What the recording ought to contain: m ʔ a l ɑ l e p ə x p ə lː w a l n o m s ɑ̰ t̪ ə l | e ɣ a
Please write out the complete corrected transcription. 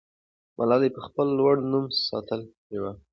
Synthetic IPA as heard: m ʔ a l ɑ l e p ə x p ə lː w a ɽ n u m s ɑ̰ t̪ ə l | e w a